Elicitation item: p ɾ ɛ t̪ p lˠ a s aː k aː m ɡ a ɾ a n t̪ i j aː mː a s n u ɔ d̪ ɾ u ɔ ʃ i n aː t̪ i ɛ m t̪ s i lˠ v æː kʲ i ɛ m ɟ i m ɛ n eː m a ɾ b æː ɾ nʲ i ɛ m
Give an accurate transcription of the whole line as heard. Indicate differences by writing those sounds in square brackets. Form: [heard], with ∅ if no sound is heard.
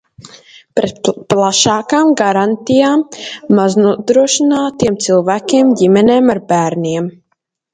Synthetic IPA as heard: p ɾ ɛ t̪ p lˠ a [ʃ] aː k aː m ɡ a ɾ a n t̪ i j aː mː a [z] n u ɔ d̪ ɾ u ɔ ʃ i n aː t̪ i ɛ m t̪ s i lˠ v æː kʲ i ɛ m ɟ i m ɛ n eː m a ɾ b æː ɾ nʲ i ɛ m